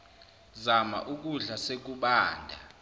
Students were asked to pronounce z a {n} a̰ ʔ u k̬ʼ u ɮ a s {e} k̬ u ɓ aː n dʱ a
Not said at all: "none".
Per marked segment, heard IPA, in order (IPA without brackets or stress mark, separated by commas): m, e